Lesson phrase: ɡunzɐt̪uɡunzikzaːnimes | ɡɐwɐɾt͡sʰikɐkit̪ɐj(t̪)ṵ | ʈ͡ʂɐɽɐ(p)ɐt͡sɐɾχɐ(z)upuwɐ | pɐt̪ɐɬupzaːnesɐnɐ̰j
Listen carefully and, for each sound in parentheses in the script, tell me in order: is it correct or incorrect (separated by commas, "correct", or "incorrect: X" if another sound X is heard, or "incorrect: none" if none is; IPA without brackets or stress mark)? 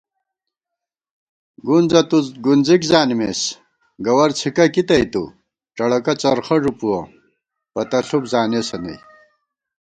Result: correct, incorrect: k, incorrect: ʐ